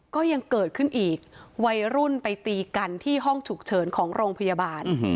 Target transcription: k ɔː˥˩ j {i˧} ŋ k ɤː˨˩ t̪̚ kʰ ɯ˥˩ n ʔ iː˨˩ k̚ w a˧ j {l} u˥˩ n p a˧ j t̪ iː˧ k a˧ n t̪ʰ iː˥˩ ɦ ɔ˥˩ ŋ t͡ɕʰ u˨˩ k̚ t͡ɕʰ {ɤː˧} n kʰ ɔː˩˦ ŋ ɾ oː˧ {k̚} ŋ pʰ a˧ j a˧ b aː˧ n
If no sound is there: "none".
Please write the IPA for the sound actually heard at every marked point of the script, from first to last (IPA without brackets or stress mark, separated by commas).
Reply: a˧, ɾ, ɤː˩˦, none